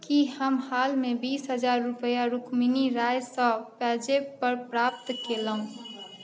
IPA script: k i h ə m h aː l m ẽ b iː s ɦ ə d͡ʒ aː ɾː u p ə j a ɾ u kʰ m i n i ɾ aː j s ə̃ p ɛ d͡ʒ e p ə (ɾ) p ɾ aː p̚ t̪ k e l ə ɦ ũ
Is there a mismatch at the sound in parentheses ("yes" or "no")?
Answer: no